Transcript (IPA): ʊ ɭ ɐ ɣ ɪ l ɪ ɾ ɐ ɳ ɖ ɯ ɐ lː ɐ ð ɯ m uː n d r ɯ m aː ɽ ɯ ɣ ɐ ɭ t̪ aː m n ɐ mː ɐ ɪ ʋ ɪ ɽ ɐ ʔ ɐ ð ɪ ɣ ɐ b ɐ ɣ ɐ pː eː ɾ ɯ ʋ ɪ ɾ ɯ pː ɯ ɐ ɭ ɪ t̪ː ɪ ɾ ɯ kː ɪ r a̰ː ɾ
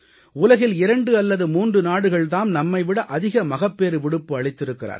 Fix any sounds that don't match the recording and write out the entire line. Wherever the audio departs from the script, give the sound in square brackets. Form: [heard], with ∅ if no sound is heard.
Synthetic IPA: ʊ [l] ɐ ɣ ɪ l ɪ ɾ ɐ ɳ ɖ ɯ ɐ lː ɐ ð ɯ m uː n d r ɯ [n] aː ɽ ɯ ɣ ɐ ɭ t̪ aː m n ɐ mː ɐ ɪ ʋ ɪ ɽ ɐ ʔ ɐ ð ɪ ɣ ɐ [m] ɐ ɣ ɐ pː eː ɾ ɯ ʋ ɪ [ɽ] ɯ pː ɯ ɐ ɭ ɪ t̪ː ɪ ɾ ɯ kː ɪ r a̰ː ɾ